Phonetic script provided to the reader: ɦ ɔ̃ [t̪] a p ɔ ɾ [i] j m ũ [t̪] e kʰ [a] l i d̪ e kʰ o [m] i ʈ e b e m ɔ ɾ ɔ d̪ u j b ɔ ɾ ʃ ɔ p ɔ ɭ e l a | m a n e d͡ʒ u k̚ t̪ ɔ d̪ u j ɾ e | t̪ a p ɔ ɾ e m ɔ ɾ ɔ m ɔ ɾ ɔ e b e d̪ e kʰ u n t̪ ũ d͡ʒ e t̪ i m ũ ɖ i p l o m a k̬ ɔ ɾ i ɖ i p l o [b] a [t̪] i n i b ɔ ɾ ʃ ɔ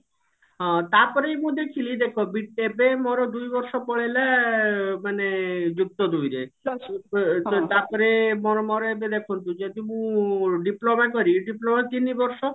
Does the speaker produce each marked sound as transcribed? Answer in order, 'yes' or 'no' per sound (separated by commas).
yes, no, no, no, no, no, yes